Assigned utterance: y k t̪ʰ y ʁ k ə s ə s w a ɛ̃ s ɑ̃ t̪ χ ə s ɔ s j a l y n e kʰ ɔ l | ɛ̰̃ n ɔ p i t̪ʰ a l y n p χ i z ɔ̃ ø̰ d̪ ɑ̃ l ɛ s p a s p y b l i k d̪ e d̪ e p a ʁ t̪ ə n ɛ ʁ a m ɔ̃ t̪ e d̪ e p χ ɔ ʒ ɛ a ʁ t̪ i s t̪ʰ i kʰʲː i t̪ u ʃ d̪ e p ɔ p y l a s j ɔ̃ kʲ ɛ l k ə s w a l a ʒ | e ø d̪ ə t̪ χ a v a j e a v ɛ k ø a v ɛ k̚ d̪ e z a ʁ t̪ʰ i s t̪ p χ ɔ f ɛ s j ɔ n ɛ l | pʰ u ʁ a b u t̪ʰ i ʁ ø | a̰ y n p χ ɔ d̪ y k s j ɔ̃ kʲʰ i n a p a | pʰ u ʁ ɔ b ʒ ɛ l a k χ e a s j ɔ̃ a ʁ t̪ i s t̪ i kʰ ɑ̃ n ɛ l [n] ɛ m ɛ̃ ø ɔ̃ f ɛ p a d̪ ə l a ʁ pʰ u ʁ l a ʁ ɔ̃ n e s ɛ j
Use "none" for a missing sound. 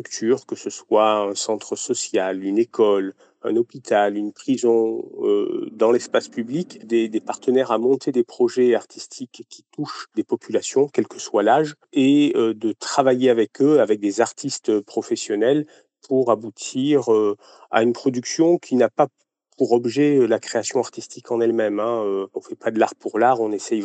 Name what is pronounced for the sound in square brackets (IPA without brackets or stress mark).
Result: m